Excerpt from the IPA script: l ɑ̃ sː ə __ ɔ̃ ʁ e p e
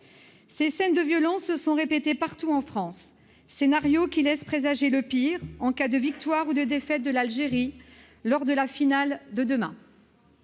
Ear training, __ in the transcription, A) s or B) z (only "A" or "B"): A